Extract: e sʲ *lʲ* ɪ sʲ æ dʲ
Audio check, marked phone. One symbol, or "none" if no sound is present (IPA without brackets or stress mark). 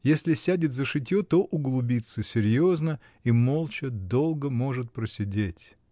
lʲ